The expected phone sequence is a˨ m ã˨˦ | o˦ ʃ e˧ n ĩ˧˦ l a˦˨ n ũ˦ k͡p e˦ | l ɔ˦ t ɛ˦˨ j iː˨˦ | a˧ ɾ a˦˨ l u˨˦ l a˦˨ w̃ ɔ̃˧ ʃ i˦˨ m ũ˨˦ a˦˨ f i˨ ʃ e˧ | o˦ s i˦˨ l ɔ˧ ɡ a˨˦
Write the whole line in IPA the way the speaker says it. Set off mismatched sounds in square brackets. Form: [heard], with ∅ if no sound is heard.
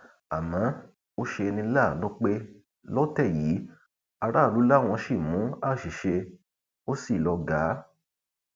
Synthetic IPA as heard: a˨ m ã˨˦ | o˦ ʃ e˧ n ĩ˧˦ l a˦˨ n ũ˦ k͡p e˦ | l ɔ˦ t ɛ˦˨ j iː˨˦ | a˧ ɾ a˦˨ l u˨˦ l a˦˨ w̃ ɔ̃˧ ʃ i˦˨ m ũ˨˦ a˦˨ [ʃ] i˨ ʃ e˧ | o˦ s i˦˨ l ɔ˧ ɡ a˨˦